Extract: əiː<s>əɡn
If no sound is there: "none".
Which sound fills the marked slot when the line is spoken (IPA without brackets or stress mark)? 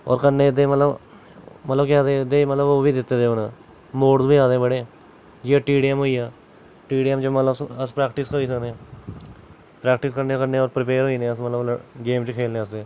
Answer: s